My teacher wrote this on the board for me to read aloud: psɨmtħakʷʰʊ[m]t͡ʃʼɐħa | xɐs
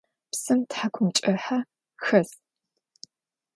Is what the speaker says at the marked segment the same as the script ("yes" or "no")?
yes